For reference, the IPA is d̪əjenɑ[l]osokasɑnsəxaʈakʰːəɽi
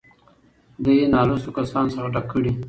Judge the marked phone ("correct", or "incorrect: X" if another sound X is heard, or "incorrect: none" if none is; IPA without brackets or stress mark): correct